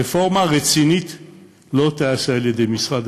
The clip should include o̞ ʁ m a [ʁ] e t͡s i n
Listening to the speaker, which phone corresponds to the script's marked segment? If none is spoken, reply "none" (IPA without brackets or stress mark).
ʁ